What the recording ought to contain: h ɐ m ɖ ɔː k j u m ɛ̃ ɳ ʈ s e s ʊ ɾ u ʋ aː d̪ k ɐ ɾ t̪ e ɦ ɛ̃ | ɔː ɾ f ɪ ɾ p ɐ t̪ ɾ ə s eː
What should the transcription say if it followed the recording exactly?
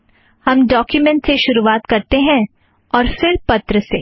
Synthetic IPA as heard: h ɐ m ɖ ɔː k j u m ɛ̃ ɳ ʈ s e ʃ ʊ ɾ u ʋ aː t̪ k ɐ ɾ t̪ e ɦ ɛ̃ | ɔː ɾ f ɪ ɾ p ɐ t̪ ɾ ə s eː